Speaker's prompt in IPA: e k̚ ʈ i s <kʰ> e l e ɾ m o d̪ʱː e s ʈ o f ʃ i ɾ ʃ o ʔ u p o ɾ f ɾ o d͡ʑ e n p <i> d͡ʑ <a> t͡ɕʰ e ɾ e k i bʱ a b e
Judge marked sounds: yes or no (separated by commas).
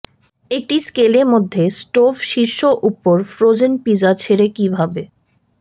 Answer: no, yes, yes